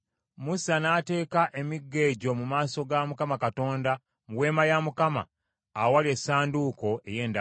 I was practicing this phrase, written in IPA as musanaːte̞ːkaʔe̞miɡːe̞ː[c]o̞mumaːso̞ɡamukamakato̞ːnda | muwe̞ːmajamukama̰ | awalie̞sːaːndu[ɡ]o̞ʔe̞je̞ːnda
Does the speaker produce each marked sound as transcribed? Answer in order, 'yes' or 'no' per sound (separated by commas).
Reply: no, no